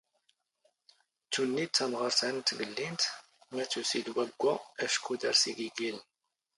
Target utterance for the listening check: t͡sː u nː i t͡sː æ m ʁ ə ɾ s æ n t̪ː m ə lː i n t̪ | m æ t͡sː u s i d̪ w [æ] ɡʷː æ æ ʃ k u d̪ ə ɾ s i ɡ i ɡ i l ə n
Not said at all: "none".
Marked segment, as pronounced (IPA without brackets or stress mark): æ